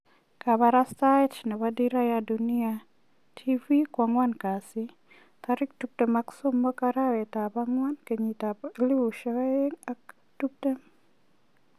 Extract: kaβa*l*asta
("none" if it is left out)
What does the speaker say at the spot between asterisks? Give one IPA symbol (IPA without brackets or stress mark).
ɾ